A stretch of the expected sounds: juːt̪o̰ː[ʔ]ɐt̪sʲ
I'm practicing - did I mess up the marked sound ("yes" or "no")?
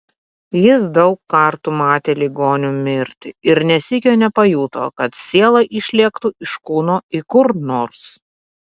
yes